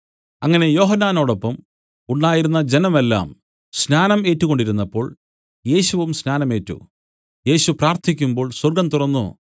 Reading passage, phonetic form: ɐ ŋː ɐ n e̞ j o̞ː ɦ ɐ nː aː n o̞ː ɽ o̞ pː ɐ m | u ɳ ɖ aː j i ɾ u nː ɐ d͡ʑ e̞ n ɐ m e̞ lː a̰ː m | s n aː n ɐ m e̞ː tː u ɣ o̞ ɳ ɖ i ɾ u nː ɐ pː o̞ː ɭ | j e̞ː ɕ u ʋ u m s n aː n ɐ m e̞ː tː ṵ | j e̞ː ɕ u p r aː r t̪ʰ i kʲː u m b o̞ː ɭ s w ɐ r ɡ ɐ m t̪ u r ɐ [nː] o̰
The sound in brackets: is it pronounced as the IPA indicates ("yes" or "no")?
yes